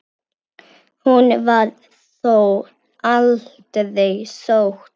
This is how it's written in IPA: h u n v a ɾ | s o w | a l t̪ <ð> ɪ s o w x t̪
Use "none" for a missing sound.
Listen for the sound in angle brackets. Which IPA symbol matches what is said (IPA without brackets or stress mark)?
ð